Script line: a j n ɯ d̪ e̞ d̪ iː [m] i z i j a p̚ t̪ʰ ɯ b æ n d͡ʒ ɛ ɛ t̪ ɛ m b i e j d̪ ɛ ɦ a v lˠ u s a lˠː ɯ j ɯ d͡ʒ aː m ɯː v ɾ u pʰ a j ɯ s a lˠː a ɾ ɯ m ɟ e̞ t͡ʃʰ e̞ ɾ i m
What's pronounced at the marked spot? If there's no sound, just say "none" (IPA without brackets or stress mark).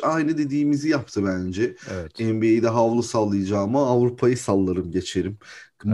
m